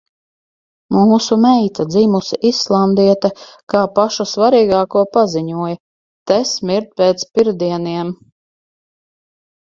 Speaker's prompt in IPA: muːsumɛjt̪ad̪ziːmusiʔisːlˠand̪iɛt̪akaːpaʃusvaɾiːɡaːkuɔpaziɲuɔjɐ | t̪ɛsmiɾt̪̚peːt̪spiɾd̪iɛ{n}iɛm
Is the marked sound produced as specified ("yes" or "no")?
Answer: yes